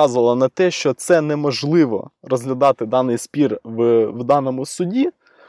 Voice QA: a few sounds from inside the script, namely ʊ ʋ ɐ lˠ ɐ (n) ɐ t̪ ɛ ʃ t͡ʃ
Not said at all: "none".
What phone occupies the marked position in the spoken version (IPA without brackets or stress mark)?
n